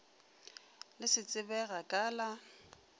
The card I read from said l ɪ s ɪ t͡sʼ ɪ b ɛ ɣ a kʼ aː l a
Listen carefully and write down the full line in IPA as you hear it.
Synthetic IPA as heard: l ɪ s ɪ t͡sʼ ɪ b ɛ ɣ a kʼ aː l a